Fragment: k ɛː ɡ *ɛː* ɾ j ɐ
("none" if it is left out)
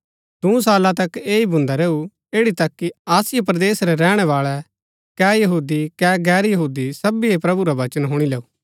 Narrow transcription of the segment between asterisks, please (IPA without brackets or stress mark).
ɛː